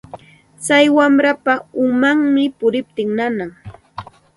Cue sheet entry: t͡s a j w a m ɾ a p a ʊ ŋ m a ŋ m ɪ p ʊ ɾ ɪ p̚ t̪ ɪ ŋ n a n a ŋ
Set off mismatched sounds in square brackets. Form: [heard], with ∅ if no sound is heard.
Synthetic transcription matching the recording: t͡s a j w a m ɾ a p a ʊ [∅] m a ŋ m ɪ p ʊ ɾ ɪ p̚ t̪ ɪ ŋ n a n a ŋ